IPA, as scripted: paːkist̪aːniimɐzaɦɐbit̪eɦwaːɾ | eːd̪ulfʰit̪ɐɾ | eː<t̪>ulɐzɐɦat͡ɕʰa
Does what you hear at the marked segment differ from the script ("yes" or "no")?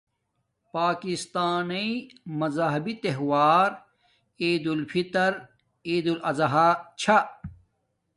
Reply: yes